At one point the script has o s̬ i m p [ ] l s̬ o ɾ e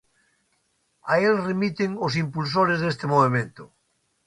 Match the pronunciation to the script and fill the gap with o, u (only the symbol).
u